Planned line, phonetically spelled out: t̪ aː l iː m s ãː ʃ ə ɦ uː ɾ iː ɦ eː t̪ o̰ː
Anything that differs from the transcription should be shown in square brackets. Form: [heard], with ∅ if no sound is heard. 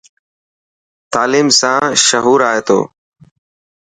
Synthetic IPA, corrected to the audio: t̪ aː l iː m s ãː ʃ ə ɦ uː ɾ [aː] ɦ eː t̪ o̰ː